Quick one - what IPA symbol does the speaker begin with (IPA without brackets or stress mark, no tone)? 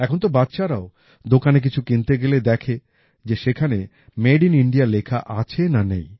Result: ɛ